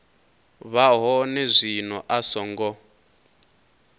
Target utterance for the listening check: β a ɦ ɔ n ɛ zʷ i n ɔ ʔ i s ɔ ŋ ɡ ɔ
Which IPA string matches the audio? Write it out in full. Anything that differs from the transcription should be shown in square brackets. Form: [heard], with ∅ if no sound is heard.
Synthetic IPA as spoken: β a ɦ ɔ n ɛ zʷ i n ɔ ʔ [a] s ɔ ŋ ɡ ɔ